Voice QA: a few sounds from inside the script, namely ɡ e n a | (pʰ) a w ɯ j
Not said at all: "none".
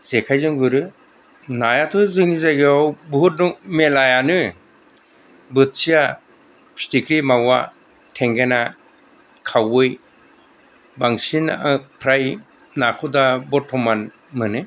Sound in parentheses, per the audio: kʰ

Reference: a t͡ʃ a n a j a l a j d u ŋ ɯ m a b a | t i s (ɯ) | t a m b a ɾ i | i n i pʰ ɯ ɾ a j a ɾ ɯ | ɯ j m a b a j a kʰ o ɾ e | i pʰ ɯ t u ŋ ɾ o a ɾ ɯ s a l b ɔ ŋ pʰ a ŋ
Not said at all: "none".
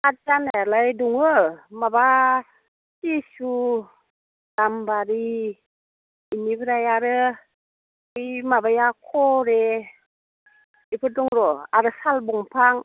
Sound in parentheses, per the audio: u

